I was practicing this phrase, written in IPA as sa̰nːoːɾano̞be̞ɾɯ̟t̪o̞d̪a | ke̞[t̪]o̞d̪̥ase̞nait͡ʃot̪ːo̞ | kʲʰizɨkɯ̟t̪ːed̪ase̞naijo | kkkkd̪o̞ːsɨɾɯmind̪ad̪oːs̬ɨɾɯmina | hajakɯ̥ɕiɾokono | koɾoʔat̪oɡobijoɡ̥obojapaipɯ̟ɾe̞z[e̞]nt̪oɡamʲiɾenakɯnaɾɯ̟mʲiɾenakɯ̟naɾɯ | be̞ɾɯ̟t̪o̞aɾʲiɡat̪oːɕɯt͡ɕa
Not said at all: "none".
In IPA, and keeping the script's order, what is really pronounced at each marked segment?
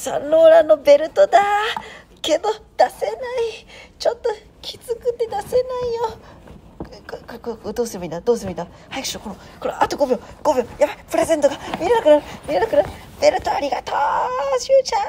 d̪, e̞

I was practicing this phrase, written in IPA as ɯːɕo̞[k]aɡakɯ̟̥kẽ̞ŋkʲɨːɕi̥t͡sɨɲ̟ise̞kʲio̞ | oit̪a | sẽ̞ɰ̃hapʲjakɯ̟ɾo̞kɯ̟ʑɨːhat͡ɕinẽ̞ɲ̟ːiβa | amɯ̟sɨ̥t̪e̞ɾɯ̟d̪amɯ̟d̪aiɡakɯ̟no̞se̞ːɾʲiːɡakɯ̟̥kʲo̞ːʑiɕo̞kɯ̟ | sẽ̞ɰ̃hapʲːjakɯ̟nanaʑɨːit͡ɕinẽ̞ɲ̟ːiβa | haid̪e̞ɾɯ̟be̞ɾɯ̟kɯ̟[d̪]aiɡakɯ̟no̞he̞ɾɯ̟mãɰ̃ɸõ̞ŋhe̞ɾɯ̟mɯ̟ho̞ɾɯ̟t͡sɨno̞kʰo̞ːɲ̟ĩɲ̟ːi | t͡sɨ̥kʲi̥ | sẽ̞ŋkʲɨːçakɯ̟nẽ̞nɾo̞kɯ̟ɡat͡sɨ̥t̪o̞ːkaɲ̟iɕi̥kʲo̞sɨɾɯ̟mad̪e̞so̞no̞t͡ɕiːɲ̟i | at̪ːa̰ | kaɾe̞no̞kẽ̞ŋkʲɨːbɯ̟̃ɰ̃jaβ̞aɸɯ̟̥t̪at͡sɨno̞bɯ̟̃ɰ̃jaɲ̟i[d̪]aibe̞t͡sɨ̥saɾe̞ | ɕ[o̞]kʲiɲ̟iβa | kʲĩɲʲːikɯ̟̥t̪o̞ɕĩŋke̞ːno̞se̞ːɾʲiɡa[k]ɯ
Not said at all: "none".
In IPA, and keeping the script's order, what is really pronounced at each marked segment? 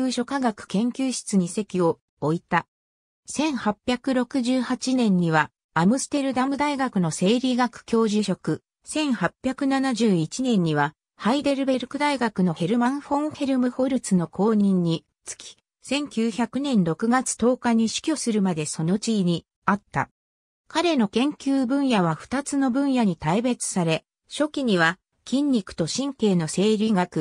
k, d̪, t̪, o̞, k

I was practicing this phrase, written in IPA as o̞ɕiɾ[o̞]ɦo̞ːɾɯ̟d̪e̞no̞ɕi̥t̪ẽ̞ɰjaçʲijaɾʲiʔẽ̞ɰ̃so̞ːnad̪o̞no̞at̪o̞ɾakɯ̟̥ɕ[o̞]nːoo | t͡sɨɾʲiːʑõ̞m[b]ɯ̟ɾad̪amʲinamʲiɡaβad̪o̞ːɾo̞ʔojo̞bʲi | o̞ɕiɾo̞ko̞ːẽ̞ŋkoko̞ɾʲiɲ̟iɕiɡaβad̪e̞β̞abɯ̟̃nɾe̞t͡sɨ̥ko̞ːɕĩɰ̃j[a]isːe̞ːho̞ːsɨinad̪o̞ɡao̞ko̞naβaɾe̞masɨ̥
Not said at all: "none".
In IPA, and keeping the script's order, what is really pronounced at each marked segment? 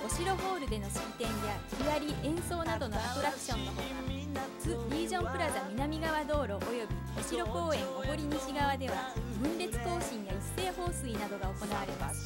o̞, õ̞, p, a

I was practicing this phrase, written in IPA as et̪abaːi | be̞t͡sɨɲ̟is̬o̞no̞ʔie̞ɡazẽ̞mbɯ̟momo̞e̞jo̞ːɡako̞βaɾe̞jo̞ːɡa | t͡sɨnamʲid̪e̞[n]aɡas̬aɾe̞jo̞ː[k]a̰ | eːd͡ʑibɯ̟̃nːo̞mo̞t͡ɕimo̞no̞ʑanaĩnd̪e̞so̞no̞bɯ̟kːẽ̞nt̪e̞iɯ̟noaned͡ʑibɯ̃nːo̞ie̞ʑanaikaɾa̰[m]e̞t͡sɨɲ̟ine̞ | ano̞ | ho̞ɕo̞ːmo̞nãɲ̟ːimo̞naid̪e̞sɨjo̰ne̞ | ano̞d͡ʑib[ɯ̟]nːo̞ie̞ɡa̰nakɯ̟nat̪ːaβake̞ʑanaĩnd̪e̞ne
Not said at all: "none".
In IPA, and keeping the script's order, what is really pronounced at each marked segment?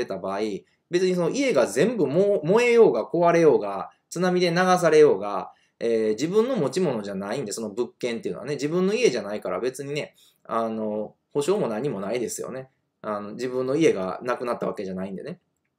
n, ɡ, b, ɯ̟̃

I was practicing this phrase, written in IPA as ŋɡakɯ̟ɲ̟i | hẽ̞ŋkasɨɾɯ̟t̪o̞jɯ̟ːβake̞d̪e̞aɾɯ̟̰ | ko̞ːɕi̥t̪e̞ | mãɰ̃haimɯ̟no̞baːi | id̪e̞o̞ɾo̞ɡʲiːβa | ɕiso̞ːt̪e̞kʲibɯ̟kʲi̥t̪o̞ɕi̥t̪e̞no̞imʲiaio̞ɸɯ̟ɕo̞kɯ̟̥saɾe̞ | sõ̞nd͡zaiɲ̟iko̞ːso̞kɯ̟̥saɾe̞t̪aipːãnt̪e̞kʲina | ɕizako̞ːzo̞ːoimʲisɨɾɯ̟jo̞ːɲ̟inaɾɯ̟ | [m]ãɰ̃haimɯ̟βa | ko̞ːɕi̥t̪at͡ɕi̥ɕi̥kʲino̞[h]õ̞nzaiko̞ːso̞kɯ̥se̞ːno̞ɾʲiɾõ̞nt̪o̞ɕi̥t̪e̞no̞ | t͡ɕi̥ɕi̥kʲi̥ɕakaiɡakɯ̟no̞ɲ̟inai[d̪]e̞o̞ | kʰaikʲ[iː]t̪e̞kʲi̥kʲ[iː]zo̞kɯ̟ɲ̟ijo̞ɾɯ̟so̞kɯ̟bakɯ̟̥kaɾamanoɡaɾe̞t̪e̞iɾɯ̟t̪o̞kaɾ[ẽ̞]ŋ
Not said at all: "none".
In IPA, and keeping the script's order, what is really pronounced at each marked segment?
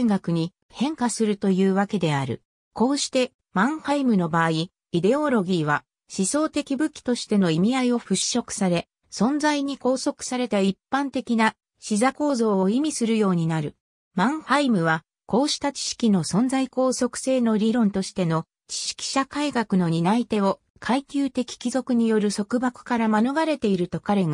m, s, t̪, ɨː, i, e̞

